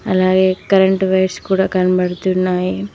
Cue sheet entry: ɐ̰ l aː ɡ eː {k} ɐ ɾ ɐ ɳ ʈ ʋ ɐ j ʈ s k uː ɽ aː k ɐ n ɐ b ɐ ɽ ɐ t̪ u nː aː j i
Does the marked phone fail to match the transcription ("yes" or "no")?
no